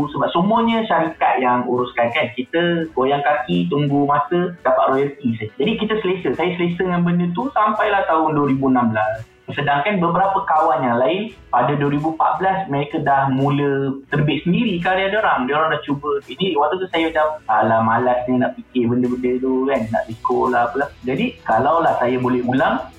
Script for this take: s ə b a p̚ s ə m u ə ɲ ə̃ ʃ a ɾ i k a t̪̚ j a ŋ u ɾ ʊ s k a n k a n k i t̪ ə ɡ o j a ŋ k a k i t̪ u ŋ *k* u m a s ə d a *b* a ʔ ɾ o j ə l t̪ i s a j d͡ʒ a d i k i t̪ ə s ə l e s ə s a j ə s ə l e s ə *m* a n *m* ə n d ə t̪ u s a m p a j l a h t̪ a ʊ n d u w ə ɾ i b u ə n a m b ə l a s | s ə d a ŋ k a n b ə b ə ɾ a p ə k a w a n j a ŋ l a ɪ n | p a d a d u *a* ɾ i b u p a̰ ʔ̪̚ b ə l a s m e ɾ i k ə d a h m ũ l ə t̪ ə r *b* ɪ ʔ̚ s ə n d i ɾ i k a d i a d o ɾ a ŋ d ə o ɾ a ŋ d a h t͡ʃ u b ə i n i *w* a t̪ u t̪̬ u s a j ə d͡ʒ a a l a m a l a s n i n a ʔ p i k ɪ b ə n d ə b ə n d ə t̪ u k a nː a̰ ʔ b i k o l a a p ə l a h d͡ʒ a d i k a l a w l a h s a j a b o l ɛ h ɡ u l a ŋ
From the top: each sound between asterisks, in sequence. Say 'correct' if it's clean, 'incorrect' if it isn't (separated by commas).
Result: incorrect, incorrect, incorrect, incorrect, incorrect, correct, correct